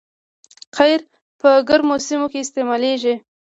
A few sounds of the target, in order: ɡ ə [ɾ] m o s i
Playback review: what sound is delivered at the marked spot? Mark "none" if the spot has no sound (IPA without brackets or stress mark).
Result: ɾ